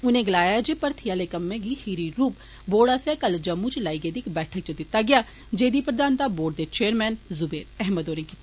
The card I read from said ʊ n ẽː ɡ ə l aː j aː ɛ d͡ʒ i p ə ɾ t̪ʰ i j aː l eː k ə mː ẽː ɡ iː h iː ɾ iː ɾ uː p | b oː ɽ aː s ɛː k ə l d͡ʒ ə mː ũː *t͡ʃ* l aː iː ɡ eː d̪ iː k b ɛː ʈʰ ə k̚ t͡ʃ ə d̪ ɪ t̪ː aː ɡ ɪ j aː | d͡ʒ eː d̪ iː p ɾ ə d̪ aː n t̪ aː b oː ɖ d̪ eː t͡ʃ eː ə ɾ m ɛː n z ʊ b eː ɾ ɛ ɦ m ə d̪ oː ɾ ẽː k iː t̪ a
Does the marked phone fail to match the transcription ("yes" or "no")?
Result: no